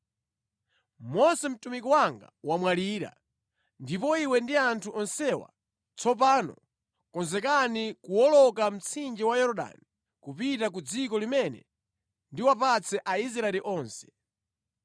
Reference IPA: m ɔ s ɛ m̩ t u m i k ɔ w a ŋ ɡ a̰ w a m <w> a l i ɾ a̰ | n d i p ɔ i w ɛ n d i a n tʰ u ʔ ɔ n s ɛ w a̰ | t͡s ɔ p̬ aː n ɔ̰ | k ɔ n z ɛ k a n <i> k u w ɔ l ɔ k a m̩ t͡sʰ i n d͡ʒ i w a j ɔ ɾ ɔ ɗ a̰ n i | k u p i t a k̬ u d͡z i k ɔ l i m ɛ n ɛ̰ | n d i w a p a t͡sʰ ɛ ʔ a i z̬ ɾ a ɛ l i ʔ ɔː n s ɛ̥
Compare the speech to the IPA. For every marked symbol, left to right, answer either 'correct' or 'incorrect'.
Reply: correct, correct

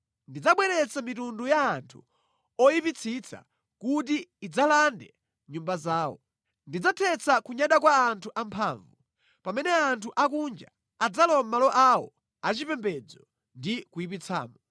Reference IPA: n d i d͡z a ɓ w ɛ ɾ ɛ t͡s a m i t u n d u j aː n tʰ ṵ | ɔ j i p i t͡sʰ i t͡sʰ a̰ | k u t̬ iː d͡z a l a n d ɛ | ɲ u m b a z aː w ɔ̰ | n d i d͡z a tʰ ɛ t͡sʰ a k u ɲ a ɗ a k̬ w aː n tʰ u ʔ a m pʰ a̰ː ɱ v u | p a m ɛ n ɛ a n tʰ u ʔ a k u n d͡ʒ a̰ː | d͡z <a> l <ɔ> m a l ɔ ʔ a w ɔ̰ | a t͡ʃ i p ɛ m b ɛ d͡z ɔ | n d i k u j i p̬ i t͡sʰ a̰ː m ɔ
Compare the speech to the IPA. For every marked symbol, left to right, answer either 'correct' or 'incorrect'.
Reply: correct, correct

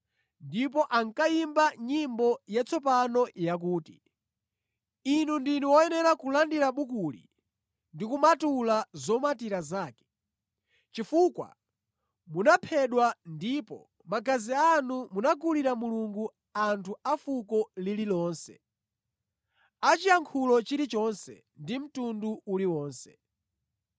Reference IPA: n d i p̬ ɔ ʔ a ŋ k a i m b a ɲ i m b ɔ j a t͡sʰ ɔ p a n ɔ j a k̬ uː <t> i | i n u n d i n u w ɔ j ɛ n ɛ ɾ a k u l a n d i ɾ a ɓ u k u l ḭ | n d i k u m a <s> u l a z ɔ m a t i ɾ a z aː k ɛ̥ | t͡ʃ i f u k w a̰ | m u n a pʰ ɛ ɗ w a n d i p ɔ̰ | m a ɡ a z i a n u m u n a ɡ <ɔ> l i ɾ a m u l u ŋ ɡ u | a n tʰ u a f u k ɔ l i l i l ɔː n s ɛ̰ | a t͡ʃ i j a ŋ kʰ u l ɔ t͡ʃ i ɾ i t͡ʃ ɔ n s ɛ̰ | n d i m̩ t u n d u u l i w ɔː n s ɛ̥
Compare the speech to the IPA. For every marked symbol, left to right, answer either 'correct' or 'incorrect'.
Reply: correct, incorrect, incorrect

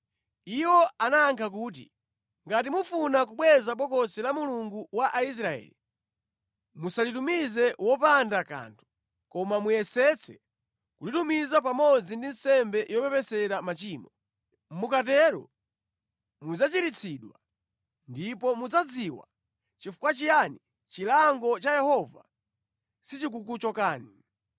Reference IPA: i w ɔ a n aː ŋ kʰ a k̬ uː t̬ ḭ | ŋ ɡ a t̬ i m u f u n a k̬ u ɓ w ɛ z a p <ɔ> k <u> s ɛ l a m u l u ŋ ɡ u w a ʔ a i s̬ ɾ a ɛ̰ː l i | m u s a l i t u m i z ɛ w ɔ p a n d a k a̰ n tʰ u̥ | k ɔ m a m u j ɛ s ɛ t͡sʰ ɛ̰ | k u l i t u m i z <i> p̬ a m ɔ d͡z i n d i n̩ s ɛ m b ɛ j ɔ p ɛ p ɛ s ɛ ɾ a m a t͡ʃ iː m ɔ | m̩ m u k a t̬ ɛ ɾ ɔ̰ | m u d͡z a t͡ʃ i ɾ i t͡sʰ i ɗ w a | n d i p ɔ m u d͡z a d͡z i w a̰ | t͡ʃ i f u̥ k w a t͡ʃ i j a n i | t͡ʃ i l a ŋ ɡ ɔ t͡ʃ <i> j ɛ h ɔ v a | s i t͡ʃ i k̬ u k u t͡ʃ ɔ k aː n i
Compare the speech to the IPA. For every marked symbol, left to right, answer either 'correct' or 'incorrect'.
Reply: correct, incorrect, incorrect, incorrect

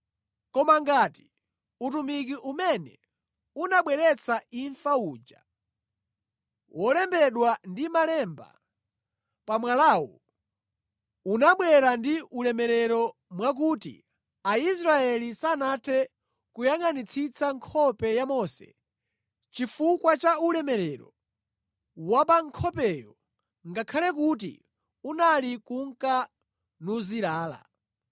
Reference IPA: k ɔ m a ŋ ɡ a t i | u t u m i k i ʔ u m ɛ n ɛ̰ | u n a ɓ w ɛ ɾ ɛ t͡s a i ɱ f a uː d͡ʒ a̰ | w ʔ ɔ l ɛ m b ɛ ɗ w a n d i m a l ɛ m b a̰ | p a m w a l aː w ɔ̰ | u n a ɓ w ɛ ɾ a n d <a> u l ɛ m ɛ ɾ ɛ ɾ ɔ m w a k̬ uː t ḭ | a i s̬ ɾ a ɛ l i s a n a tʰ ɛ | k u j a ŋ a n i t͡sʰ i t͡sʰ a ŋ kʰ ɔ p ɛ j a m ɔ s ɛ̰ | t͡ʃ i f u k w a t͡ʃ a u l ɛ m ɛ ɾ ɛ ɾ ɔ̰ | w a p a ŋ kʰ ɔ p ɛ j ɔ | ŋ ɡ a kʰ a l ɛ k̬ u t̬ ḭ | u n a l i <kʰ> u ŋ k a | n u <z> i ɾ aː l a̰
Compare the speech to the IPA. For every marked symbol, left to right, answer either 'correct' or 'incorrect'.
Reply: incorrect, incorrect, correct

